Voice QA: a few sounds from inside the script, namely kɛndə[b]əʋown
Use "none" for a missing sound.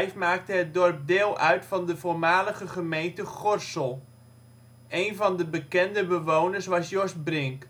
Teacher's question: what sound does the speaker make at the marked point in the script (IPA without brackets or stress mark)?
b